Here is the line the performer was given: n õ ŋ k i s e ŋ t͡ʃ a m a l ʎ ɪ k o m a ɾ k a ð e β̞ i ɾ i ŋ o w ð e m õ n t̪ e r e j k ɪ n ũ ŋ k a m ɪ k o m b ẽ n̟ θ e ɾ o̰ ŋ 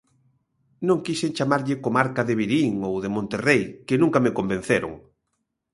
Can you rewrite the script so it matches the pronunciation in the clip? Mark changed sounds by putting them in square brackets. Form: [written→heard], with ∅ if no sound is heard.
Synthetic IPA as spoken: n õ ŋ k i s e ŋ t͡ʃ a m a [l→ɾ] ʎ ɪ k o m a ɾ k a ð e β̞ i ɾ i ŋ o w ð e m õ n t̪ e r e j k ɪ n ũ ŋ k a m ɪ k o m b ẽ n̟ θ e ɾ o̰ ŋ